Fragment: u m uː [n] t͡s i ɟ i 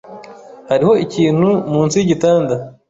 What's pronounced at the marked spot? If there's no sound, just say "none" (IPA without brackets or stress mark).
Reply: n